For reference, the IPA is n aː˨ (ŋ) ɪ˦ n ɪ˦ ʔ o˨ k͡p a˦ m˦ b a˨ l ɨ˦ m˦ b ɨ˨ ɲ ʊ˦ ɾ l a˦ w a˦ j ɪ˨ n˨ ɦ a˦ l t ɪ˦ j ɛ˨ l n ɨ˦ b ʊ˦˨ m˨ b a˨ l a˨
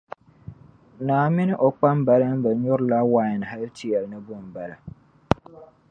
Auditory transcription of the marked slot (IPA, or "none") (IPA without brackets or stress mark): m